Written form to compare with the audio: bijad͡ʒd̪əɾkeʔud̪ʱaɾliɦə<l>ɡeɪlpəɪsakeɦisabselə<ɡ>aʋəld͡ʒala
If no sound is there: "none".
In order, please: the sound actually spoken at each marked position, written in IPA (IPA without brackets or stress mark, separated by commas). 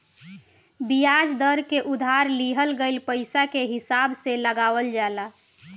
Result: l, ɡ